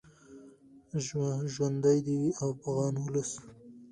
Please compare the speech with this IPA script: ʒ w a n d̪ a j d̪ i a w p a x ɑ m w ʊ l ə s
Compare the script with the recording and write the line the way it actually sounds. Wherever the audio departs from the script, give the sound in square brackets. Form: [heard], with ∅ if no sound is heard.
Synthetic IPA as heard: ʒ w a n d̪ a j d̪ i a w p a [ɣ] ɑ [n] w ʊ l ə s

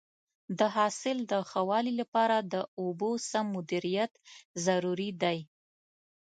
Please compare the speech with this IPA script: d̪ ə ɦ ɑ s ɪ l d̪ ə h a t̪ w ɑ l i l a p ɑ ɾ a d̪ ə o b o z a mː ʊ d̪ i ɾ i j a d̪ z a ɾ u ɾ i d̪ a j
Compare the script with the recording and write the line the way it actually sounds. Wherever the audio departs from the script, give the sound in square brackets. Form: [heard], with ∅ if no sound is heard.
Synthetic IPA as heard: d̪ ə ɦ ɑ s ɪ l d̪ ə [x] a [∅] w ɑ l i l a p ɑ ɾ a d̪ ə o b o [s] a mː ʊ d̪ i ɾ i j a [t̪] z a ɾ u ɾ i d̪ a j

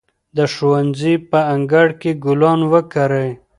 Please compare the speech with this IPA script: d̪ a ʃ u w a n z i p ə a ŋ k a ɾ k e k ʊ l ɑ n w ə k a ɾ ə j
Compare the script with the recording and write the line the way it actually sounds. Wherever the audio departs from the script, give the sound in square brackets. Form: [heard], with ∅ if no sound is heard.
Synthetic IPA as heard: d̪ [ə] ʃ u w a n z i p ə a ŋ [ɡ] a [ɽ] k e [ɡ] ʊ l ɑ n w ə k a ɾ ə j

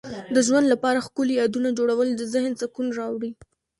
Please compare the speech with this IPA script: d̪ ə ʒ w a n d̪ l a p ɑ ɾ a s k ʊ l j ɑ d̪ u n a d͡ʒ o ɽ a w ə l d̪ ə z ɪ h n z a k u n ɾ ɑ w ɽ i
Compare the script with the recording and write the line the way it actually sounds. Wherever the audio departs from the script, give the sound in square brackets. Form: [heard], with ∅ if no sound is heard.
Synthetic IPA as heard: d̪ ə ʒ w a n d̪ l a p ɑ ɾ a [x] k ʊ l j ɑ d̪ u n a d͡ʒ o ɽ a w ə l d̪ ə z ɪ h n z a k u n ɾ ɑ w ɽ i

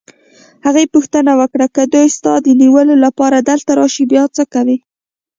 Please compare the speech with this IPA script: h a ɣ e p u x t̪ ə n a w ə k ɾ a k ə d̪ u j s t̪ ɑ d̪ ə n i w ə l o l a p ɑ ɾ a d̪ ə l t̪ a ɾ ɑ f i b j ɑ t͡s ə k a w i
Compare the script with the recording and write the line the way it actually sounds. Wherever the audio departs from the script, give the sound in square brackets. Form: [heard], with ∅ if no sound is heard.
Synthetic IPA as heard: h a ɣ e p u x t̪ ə n a w ə k [ɽ] a k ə d̪ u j s t̪ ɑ d̪ ə n i w ə l o l a p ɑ ɾ a d̪ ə l t̪ a ɾ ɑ [ʃ] i b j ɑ t͡s ə k a w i

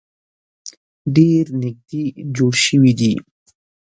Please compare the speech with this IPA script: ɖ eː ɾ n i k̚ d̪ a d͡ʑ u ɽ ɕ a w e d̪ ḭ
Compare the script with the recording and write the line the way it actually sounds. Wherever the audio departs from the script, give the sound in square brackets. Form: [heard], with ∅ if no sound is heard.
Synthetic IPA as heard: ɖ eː ɾ n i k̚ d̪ [i] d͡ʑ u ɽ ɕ [i] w [i] d̪ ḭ

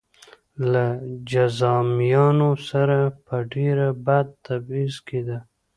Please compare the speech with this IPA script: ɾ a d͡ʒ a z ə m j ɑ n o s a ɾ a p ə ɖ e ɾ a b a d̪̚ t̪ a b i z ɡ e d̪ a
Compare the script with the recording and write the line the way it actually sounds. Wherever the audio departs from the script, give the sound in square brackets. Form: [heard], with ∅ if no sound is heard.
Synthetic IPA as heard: [l] a d͡ʒ a z [ɑ] m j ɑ n o s a ɾ a p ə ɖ e ɾ a b a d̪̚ t̪ a b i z [k] e d̪ a

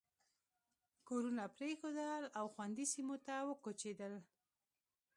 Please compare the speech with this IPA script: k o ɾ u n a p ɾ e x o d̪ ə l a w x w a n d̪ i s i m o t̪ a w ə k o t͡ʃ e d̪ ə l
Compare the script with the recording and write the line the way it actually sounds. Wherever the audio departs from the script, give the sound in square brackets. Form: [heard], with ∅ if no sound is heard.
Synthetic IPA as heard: k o ɾ u n a p ɾ e x o d̪ ə l a w x w a n d̪ i s i m o t̪ a w ə k o t͡ʃ e d̪ ə l

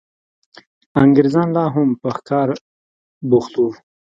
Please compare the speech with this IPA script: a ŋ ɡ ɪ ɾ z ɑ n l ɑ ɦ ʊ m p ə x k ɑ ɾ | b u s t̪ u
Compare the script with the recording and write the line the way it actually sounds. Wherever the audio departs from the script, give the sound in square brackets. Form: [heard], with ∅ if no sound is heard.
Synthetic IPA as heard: a ŋ ɡ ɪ ɾ z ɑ n l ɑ ɦ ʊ m p ə x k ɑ ɾ | b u [x] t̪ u

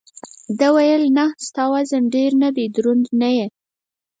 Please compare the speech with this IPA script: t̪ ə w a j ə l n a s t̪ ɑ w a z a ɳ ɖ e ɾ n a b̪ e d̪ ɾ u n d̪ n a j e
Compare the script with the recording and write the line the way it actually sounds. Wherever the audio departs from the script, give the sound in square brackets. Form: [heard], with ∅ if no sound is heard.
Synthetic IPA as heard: [d̪] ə w a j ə l n a s t̪ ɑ w a z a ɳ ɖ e ɾ n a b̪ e d̪ ɾ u n d̪ n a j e

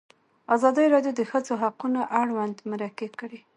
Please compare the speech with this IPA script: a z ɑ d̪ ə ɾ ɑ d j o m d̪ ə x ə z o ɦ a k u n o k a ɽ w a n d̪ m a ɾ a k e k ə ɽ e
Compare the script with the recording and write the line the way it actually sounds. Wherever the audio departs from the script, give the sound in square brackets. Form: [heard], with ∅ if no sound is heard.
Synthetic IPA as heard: a z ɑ d̪ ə ɾ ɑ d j o [∅] d̪ ə x ə z o ɦ a [q] u n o [ʔ] a ɽ w a n d̪ m a ɾ a k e k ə ɽ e

